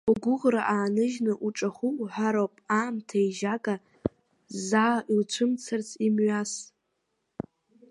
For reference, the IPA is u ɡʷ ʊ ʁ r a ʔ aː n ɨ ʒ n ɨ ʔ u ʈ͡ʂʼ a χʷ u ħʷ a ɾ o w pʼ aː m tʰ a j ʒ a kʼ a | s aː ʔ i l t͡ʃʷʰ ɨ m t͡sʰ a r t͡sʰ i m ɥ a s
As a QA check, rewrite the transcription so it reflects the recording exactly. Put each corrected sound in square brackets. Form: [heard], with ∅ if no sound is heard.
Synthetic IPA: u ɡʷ ʊ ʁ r a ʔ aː n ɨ ʒ n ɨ ʔ u ʈ͡ʂʼ a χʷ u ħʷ a ɾ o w pʼ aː m tʰ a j ʒ a kʼ a | [z] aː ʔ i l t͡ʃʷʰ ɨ m t͡sʰ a r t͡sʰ i m ɥ a s